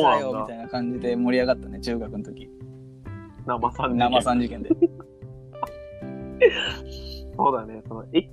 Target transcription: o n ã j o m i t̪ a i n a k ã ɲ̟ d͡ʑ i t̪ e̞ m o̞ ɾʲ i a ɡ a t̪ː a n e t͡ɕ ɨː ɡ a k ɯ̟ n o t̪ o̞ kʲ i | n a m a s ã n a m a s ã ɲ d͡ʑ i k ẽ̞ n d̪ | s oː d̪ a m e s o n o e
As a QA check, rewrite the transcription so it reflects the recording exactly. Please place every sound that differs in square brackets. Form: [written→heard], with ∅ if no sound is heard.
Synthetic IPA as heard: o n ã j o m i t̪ a i n a k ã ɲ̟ d͡ʑ i [t̪→d̪] e̞ m o̞ ɾʲ i a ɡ a t̪ː a n e t͡ɕ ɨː ɡ a k ɯ̟ n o t̪ o̞ kʲ i | n a m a s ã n a m a s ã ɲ d͡ʑ i k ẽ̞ n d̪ | s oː d̪ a [m→n] e s o n o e